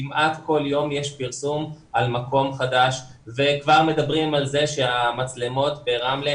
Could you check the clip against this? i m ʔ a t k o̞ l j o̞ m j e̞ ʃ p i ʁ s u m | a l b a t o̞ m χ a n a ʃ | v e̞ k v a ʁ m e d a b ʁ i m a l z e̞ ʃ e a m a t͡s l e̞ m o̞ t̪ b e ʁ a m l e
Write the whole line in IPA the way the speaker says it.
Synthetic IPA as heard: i m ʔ a t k o̞ l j o̞ m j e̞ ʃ p i ʁ s u m | a l m a k o̞ m χ a d a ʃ | v e̞ k v a ʁ m e d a b ʁ i m a l z e̞ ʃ e a m a t͡s l e̞ m o̞ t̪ b e ʁ a m l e